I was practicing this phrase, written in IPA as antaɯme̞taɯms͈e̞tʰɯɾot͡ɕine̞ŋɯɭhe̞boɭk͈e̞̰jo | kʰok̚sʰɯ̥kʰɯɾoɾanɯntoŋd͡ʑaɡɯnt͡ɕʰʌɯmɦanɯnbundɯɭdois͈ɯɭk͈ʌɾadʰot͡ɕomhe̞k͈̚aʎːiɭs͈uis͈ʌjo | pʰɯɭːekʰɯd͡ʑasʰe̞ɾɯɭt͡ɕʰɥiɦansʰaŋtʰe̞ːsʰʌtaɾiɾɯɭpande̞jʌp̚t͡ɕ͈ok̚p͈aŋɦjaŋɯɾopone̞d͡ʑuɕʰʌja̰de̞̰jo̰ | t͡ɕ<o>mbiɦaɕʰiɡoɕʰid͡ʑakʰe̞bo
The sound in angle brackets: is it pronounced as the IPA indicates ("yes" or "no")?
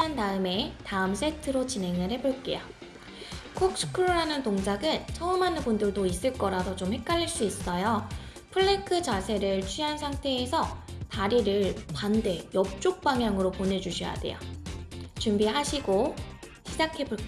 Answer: no